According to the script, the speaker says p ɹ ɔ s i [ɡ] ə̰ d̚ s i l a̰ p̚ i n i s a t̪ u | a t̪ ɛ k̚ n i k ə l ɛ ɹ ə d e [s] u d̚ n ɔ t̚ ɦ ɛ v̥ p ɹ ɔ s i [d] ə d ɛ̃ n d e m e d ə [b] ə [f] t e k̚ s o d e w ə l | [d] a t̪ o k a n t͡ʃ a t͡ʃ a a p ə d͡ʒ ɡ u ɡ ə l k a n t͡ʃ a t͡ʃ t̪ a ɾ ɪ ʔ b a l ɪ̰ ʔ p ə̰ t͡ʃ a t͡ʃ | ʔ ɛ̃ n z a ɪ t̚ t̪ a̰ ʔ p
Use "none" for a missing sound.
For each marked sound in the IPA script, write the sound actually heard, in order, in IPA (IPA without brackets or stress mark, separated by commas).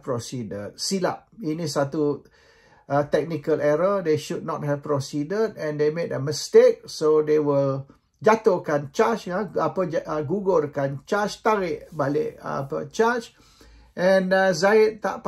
d, ʃ, d, m, s, d͡ʒ